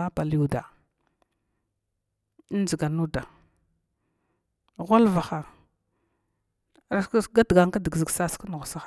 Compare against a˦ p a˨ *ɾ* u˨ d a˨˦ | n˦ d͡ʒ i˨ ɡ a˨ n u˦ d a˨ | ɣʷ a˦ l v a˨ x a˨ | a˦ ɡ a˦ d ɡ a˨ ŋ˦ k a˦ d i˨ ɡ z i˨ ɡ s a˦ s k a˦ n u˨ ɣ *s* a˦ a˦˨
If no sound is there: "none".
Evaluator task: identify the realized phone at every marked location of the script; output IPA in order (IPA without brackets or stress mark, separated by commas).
l, s